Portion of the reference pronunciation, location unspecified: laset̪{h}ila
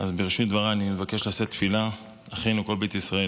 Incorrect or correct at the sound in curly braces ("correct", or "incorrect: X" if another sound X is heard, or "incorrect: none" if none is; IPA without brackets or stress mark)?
incorrect: f